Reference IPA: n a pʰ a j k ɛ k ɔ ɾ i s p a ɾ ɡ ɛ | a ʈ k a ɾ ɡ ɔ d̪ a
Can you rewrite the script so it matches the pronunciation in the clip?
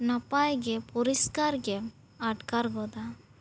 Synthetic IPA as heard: n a p a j ɡ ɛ p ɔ ɾ i s k a ɾ ɡ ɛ | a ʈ k a ɾ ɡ ɔ d̪ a